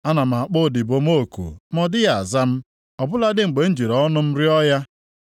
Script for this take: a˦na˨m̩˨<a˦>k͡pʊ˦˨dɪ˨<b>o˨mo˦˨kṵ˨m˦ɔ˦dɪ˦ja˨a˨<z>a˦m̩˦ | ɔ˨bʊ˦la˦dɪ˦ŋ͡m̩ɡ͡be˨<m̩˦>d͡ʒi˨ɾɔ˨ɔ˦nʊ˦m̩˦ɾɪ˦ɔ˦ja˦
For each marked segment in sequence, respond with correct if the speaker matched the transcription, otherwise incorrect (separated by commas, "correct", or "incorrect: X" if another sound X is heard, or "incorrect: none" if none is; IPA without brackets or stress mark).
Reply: incorrect: a˨, correct, correct, incorrect: n̩˦